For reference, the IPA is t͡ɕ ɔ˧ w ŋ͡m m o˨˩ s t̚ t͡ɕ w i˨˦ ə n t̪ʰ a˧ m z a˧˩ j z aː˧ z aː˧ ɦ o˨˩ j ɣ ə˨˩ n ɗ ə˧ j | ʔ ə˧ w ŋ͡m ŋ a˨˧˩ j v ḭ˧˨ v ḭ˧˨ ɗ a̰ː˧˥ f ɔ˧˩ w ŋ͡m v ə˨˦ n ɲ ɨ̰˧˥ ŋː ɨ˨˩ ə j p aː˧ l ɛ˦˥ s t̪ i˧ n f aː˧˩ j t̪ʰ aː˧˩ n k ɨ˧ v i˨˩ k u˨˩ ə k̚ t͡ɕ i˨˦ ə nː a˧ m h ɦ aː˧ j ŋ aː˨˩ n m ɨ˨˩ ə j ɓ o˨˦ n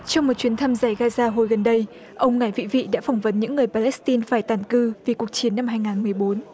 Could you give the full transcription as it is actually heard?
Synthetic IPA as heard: t͡ɕ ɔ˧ w ŋ͡m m o˨˩ t̚ t͡ɕ w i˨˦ ə n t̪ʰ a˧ m z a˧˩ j ɣ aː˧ z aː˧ ɦ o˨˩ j ɣ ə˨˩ n ɗ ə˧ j | ʔ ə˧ w ŋ͡m ŋ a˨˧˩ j v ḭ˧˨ v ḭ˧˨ ɗ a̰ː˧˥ f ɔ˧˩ w ŋ͡m v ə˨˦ n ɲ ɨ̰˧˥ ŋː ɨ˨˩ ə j p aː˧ l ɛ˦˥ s t̪ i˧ n f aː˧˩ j t̪ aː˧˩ n k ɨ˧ v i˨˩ k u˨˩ ə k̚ t͡ɕ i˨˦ ə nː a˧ m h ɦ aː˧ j ŋ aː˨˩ n m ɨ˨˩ ə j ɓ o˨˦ n